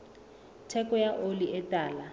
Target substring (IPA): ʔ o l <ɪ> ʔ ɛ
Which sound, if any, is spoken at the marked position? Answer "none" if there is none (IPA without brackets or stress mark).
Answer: i